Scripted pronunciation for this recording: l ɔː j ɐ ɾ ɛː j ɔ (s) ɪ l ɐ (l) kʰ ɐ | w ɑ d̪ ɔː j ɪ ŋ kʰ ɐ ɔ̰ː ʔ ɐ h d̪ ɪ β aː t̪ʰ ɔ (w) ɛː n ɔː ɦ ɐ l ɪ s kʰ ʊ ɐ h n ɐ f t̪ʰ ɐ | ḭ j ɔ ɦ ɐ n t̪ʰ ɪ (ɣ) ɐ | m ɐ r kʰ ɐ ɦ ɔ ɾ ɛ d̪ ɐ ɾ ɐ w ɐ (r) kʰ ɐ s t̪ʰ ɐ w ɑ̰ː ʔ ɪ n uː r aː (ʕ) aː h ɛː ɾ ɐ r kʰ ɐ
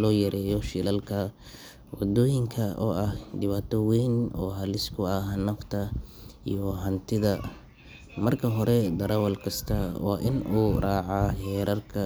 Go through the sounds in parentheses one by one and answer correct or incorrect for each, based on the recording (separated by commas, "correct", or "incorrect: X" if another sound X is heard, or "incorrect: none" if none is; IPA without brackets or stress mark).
incorrect: ʃ, correct, correct, incorrect: ð, incorrect: l, correct